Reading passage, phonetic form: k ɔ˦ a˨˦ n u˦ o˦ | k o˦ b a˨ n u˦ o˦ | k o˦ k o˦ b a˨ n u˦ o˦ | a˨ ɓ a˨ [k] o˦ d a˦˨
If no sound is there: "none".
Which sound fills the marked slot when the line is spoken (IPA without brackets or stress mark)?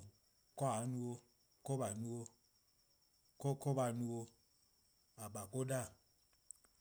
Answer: k